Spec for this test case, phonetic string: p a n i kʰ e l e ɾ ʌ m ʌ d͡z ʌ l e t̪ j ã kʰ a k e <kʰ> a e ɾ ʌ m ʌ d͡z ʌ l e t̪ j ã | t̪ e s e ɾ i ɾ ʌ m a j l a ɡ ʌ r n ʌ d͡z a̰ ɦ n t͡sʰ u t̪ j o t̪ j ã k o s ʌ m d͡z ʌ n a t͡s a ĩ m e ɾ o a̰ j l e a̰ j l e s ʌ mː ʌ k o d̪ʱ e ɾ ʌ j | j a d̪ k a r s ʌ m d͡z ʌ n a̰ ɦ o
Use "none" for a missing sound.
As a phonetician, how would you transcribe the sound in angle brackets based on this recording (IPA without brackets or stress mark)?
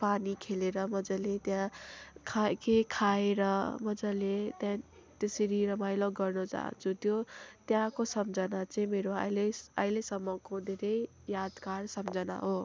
kʰ